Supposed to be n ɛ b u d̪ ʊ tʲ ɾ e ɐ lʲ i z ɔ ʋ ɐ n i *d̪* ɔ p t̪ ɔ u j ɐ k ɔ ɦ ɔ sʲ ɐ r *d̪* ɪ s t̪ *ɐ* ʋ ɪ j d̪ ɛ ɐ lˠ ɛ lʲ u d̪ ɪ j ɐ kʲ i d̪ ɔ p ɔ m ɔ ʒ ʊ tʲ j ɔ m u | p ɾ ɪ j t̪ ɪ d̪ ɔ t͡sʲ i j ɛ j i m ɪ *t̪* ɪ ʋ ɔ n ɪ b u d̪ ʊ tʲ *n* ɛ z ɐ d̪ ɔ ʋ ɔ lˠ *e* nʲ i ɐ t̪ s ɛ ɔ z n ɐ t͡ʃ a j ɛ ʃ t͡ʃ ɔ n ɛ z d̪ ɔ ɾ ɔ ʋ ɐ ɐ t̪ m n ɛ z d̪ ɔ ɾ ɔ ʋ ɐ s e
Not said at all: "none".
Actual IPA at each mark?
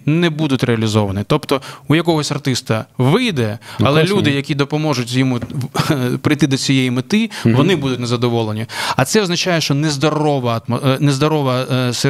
t̪, t̪, ɐ, t̪, n, e

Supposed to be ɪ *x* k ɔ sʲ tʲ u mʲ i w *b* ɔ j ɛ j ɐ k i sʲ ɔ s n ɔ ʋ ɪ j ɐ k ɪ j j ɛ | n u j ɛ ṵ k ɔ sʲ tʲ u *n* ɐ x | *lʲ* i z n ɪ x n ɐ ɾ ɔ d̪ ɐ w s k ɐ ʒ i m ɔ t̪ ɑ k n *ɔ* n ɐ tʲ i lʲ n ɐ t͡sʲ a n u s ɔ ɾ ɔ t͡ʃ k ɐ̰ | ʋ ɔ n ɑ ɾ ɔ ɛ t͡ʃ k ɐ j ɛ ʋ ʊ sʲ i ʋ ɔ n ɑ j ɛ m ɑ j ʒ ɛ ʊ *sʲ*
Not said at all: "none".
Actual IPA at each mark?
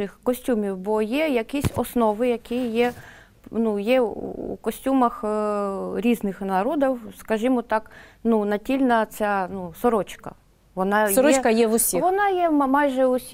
x, b, m, ɾʲ, u, sʲ

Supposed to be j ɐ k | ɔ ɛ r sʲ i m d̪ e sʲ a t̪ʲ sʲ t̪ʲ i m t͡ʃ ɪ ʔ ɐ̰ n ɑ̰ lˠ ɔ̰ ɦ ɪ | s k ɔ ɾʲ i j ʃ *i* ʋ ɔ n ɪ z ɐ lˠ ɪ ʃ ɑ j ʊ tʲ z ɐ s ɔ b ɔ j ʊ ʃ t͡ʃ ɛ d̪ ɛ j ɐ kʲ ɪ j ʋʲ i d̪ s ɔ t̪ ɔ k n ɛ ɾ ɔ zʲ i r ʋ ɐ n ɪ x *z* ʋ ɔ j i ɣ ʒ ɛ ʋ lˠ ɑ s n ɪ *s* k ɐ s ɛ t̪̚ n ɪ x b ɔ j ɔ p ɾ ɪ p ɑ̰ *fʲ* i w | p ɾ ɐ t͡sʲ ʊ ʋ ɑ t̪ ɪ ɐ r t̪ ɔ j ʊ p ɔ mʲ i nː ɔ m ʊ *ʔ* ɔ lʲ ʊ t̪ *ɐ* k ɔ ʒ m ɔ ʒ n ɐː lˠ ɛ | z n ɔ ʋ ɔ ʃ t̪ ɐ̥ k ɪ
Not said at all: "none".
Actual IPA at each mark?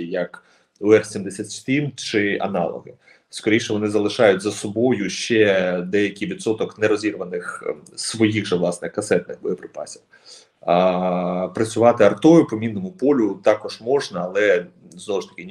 ɛ, s, x, sʲ, p, ɑ

